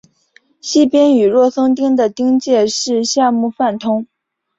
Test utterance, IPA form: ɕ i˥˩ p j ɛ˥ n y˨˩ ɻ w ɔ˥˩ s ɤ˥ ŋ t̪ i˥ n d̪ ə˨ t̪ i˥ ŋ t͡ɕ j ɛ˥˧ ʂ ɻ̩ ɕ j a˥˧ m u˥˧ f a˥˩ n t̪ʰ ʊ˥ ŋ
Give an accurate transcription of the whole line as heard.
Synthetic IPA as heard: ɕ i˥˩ p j ɛ˥ n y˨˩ ɻ w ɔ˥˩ s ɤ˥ ŋ t̪ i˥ ŋ d̪ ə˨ t̪ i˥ ŋ t͡ɕ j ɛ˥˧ ʂ ɻ̩ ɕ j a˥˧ m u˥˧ f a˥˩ n t̪ʰ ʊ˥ ŋ